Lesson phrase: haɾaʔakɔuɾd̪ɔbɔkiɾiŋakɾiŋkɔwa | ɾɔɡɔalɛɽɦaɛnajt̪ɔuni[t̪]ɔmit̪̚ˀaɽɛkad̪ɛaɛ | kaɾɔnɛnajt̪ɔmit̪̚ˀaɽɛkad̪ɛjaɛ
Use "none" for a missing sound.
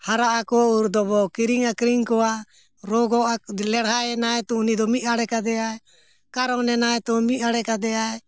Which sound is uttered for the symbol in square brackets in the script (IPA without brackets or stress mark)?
d̪